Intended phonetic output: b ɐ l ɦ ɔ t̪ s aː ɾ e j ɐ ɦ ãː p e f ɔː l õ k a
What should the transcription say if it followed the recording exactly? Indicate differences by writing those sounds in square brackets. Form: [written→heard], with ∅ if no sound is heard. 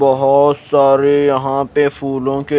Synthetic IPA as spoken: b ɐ [l→∅] ɦ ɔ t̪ s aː ɾ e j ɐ ɦ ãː p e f [ɔː→uː] l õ k [a→e]